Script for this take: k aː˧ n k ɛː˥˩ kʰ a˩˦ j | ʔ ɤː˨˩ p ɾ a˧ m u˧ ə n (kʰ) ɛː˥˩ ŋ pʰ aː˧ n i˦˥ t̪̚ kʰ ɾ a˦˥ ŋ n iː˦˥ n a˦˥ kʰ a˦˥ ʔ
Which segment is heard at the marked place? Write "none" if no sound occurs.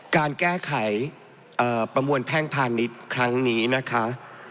pʰ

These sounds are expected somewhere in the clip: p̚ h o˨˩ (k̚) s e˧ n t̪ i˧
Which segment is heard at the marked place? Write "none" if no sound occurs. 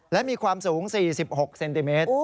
k̚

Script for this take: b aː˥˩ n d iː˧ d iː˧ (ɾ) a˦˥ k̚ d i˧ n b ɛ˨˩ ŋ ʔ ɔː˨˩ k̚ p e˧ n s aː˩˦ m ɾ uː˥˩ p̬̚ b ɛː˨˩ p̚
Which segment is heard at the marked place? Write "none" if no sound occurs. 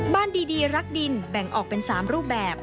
ɾ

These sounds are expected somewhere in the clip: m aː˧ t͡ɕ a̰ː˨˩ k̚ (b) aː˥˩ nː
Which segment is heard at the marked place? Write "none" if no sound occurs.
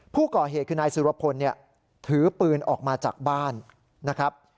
b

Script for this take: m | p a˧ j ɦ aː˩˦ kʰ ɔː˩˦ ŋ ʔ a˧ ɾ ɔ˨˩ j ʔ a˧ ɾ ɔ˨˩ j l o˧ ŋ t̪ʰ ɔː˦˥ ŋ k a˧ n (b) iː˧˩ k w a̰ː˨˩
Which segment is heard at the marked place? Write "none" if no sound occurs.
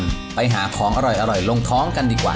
d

